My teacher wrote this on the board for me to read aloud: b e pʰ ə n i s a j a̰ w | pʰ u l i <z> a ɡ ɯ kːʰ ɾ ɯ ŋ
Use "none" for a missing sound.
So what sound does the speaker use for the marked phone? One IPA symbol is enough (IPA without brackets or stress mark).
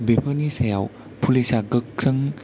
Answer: s